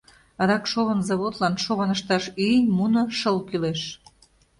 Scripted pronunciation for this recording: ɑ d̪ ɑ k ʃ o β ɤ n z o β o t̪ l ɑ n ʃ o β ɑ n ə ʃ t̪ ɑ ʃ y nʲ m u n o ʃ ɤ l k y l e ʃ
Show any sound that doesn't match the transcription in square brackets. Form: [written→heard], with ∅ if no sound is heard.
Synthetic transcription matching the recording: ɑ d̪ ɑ k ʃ o β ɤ n z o β o t̪ l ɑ n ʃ o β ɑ n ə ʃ t̪ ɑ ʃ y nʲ m u n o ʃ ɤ l k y l e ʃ